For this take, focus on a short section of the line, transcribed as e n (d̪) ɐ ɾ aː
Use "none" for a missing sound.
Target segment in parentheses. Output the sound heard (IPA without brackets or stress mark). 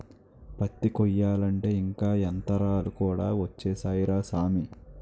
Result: t̪